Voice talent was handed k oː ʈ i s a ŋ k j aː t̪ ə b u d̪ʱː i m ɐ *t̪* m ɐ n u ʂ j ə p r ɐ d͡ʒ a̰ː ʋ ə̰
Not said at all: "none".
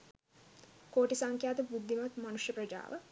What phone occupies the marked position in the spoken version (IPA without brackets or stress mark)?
t̪